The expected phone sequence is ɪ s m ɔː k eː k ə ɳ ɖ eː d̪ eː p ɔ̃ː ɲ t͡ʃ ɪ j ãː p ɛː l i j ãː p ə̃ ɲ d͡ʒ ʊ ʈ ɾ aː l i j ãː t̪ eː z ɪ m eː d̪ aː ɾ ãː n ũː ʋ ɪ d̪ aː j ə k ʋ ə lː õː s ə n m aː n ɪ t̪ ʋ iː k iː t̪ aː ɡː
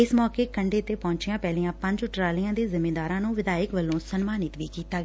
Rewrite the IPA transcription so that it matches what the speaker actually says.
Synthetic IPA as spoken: ɪ s m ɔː k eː k ə ɳ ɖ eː t̪ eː p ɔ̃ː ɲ t͡ʃ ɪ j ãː p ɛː l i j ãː p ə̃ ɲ d͡ʒ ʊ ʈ ɾ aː l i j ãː d̪ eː z ɪ m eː d̪ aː ɾ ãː n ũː ʋ ɪ d̪ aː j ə k ʋ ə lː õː s ə n m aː n ɪ t̪ ʋ iː k iː t̪ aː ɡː